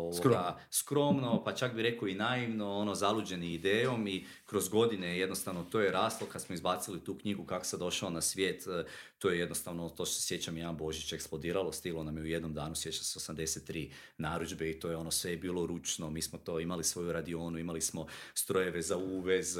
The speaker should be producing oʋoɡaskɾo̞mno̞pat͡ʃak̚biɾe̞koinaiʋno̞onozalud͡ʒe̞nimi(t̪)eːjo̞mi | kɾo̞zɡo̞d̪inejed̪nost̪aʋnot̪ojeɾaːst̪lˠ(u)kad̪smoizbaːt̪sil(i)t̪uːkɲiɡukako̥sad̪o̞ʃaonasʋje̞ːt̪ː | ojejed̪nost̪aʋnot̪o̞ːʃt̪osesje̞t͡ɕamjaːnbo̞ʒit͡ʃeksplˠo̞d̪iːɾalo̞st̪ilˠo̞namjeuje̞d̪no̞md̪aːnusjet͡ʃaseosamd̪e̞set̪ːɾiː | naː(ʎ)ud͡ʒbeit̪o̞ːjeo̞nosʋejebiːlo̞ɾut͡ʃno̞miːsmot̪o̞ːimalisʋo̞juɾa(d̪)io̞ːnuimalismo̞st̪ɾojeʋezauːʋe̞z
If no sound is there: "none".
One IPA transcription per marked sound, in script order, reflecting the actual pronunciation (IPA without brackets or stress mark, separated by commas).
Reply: d̪, o, i, ɾ, d̪